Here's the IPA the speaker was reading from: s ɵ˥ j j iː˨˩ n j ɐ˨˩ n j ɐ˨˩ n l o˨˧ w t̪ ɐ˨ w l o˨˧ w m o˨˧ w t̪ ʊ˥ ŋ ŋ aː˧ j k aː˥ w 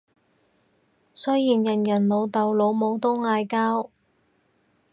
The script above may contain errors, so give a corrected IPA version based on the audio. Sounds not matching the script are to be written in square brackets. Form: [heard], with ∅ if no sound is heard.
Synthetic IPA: s ɵ˥ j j iː˨˩ n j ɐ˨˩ n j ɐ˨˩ n l o˨˧ w t̪ ɐ˨ w l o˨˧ w m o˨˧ w t̪ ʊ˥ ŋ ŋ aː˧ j k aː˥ w